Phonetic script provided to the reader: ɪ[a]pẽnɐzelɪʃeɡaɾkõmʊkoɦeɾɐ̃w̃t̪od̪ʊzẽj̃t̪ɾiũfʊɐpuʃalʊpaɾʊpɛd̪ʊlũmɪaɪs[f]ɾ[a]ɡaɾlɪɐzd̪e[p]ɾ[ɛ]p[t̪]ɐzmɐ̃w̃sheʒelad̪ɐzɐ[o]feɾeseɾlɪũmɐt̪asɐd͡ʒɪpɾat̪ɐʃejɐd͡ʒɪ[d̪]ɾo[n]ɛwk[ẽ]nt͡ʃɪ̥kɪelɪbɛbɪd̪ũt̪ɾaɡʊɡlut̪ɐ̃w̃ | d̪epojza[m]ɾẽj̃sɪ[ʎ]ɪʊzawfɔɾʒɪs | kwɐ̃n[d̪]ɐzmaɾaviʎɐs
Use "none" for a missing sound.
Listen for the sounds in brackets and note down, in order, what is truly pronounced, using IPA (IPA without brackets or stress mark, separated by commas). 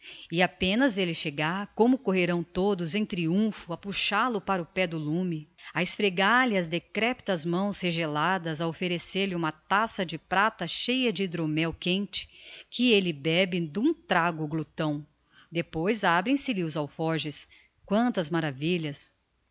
a, f, e, k, ɛ, t̪, o, d̪, m, ẽ, b, l, t̪